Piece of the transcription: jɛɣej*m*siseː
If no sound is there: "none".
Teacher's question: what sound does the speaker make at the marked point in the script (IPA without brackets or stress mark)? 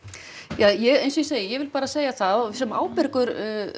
n